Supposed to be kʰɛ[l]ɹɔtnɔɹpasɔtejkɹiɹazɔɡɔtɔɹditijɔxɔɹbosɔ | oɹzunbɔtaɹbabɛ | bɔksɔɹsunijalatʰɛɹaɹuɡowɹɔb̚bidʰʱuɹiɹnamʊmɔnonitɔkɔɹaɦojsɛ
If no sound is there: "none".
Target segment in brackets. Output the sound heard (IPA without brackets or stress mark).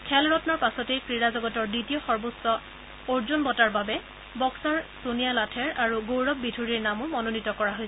l